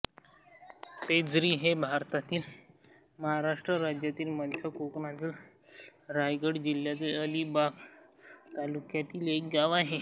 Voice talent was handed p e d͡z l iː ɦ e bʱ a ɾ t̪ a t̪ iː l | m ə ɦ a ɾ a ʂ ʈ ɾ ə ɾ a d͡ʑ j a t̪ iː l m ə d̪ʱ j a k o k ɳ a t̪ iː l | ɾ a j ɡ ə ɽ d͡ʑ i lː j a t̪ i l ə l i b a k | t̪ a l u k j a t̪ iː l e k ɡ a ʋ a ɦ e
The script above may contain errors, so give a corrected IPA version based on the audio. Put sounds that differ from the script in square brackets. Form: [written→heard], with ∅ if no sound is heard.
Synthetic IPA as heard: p e d͡z [l→ɾ] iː ɦ e bʱ a ɾ t̪ a t̪ iː l | m ə ɦ a ɾ a ʂ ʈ ɾ ə ɾ a d͡ʑ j a t̪ iː l m ə d̪ʱ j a k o k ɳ a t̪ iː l | ɾ a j ɡ ə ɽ d͡ʑ i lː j a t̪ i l ə l i b a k | t̪ a l u k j a t̪ iː l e k ɡ a ʋ a ɦ e